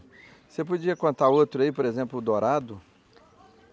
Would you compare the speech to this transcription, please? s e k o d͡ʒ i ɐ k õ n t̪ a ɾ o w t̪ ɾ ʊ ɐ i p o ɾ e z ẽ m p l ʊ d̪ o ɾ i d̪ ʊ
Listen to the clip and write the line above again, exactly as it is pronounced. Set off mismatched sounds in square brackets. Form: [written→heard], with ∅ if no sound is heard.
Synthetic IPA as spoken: s e [k→p] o d͡ʒ i ɐ k õ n t̪ a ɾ o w t̪ ɾ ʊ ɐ i p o ɾ e z ẽ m p l ʊ d̪ o ɾ [i→a] d̪ ʊ